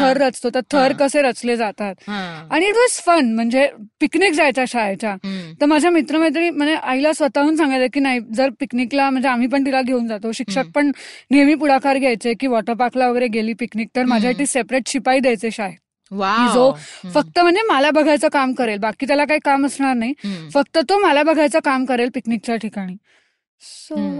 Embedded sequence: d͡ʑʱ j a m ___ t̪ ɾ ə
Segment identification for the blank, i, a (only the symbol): i